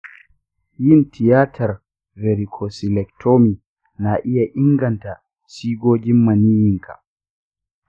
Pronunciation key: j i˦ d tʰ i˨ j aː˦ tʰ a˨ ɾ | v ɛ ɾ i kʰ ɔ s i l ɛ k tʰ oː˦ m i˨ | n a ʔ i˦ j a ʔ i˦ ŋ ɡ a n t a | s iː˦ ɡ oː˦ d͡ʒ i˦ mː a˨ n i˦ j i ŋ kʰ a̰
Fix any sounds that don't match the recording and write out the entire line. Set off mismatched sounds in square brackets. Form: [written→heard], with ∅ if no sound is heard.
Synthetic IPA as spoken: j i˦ [d→n] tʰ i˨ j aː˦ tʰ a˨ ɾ | v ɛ ɾ i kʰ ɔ s i l ɛ k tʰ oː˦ m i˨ | n a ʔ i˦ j a ʔ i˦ ŋ ɡ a n t a | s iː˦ ɡ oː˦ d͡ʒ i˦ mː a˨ n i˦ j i ŋ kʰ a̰